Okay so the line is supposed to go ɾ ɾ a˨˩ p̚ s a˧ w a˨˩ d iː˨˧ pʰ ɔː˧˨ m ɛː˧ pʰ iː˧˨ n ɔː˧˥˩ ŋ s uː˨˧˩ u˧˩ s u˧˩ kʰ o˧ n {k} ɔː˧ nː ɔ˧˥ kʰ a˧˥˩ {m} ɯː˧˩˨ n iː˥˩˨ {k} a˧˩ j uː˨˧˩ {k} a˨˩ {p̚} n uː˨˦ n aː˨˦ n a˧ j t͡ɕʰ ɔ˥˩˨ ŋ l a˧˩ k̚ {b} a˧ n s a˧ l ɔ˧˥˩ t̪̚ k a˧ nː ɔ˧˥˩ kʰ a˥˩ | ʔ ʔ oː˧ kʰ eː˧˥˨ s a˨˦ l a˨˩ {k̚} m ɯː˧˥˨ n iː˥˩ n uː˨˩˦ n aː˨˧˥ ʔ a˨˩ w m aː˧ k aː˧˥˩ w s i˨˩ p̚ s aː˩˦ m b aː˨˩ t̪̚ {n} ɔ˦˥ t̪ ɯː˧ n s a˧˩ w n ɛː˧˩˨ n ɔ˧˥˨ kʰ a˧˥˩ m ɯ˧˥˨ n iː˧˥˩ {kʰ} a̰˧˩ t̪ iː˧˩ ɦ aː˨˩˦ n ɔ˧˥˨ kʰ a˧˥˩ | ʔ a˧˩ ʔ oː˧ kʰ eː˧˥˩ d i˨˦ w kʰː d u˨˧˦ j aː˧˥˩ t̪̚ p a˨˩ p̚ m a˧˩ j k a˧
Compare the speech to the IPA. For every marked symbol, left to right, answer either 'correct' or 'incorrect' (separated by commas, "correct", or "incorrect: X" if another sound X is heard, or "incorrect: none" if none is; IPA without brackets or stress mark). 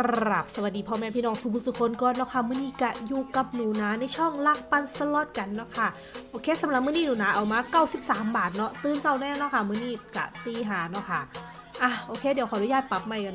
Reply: correct, correct, correct, correct, correct, incorrect: p, incorrect: p̚, correct, incorrect: k